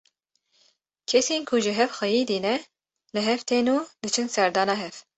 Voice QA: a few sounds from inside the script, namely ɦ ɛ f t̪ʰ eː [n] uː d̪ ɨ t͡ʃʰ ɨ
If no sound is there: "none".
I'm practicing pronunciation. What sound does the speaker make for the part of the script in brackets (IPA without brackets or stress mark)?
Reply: n